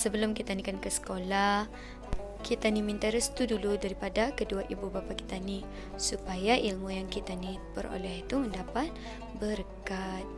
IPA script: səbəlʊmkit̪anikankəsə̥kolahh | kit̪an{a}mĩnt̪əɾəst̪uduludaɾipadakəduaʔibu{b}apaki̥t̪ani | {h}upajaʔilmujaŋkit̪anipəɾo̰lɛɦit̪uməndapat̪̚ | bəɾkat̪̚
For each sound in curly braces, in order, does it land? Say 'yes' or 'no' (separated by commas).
no, yes, no